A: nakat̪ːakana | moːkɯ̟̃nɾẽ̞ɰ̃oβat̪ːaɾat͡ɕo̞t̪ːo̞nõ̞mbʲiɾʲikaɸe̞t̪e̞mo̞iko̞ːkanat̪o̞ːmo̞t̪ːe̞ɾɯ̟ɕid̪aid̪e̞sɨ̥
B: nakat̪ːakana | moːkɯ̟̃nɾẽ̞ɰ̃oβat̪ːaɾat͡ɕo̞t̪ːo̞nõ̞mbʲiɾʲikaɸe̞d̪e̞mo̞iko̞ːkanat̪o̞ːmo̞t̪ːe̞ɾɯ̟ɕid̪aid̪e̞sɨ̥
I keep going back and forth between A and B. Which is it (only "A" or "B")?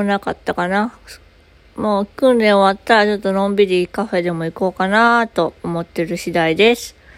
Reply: B